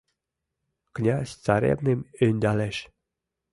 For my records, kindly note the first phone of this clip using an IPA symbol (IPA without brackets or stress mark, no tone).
k